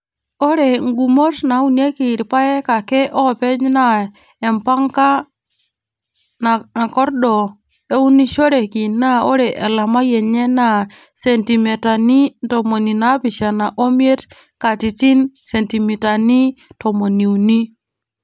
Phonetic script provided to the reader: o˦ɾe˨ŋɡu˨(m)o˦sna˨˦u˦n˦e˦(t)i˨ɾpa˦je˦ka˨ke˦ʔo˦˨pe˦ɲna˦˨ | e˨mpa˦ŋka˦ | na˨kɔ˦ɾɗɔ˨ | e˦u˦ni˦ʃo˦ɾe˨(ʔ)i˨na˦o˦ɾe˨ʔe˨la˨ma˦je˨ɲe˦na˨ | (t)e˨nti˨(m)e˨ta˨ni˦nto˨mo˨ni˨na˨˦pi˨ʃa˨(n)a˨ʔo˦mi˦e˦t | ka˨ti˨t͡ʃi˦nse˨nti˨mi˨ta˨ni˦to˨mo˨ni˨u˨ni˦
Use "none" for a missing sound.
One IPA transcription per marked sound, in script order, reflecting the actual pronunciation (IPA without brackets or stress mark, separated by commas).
m, k, k, s, m, n